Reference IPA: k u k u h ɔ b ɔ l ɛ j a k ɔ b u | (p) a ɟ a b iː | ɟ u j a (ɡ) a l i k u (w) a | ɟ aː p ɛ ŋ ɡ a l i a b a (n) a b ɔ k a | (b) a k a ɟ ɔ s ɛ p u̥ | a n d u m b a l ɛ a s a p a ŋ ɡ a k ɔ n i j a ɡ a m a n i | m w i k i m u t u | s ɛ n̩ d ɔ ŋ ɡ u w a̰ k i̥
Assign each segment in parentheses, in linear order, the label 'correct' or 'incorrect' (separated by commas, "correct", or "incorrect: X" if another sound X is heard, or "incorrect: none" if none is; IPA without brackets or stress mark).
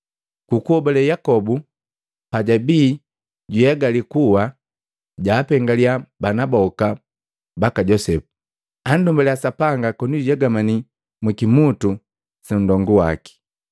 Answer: correct, correct, correct, correct, correct